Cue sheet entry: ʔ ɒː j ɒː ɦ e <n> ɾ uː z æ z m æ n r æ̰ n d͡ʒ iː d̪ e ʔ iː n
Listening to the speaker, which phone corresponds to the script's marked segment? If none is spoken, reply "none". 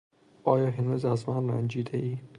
n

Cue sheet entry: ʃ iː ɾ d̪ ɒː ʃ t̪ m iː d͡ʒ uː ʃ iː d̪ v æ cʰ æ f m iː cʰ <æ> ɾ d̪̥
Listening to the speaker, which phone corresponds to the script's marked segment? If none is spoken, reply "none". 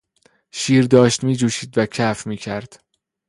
æ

